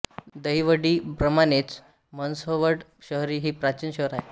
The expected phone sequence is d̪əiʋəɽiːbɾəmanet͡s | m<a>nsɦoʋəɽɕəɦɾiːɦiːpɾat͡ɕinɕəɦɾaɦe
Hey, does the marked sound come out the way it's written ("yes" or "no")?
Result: no